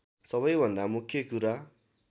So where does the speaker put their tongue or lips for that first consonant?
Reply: tongue tip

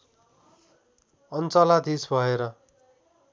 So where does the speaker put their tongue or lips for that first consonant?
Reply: tongue tip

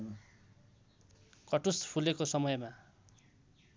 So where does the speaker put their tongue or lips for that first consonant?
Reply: velum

